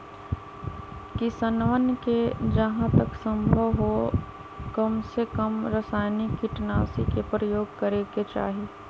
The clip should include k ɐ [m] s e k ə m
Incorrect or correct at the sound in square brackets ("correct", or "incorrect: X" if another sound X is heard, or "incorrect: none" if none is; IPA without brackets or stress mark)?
correct